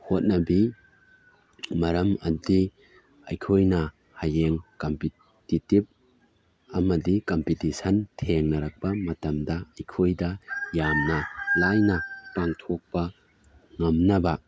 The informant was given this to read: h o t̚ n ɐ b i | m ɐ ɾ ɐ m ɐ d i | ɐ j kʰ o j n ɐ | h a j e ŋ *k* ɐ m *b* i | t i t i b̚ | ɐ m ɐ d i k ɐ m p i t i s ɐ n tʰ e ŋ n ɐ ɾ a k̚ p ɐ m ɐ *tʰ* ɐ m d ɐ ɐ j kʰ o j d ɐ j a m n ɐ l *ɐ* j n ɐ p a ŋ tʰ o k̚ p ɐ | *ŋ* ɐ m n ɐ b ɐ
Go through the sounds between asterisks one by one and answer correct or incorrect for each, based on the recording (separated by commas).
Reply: correct, incorrect, incorrect, incorrect, correct